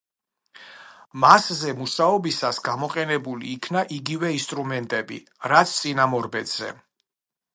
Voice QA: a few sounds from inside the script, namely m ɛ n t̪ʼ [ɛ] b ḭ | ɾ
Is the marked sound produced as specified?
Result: yes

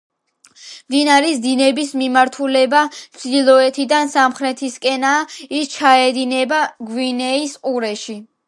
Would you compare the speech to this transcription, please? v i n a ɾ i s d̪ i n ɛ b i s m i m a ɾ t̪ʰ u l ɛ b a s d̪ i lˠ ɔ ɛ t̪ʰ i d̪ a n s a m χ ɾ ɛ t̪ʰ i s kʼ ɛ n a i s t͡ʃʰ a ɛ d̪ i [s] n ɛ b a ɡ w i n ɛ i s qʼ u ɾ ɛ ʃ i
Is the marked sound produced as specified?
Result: no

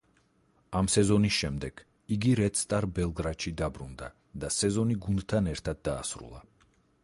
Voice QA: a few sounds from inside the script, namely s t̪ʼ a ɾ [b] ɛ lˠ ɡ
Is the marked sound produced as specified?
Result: yes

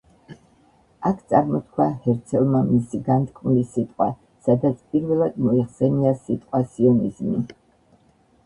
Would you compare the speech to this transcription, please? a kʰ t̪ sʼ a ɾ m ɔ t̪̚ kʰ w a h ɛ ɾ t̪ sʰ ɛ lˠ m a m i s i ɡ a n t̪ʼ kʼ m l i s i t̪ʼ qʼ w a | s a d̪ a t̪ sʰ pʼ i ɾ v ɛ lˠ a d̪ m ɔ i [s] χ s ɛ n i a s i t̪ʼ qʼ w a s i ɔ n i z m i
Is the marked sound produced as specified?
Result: no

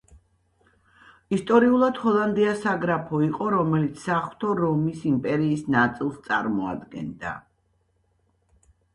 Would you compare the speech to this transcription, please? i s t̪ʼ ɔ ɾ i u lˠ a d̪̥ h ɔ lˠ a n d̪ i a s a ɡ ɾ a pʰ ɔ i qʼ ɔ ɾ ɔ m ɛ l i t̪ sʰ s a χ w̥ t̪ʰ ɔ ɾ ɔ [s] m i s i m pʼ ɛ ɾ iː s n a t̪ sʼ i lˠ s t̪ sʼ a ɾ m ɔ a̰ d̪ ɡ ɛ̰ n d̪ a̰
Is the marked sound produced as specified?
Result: no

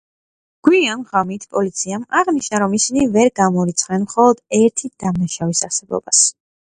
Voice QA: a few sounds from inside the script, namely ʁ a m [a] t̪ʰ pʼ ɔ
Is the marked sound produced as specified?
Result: no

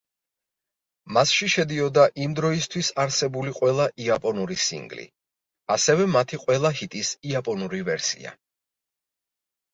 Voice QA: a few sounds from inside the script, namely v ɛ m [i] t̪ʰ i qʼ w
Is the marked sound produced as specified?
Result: no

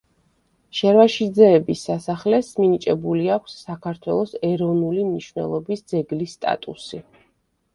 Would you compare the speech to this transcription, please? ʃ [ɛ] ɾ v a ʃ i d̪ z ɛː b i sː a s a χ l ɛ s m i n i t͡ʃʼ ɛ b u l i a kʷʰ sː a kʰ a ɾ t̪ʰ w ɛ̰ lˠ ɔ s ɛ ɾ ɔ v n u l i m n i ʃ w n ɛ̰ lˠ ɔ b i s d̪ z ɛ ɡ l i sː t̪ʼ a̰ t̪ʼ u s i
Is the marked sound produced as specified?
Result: yes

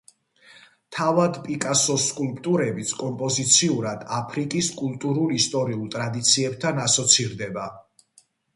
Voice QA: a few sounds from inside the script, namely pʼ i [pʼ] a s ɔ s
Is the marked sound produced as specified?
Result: no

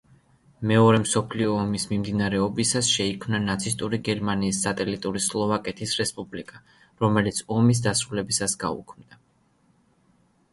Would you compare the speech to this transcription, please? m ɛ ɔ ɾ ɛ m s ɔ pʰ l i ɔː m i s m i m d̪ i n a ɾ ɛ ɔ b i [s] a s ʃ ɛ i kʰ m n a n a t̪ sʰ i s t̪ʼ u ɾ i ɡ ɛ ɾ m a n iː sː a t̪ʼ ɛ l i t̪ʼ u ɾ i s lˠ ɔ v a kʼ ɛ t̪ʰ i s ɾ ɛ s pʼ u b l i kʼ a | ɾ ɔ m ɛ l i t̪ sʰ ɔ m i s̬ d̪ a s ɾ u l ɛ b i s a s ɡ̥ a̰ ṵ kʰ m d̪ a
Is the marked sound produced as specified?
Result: yes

